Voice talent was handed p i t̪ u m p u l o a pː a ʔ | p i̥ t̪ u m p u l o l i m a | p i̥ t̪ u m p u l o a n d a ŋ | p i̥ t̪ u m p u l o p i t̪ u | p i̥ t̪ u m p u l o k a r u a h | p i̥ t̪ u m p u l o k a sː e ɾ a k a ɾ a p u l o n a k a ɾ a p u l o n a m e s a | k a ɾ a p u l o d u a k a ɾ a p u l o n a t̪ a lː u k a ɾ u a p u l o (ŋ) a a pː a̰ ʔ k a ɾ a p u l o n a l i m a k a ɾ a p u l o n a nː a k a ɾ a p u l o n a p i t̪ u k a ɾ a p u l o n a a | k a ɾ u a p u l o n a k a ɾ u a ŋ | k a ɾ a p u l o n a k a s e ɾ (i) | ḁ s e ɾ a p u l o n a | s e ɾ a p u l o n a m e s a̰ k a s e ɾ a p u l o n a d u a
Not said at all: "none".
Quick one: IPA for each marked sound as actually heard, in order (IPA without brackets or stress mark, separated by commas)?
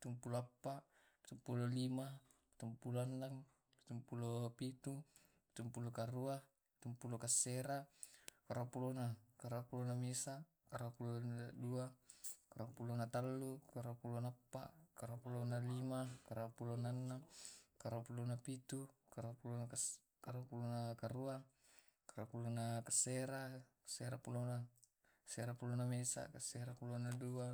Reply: n, a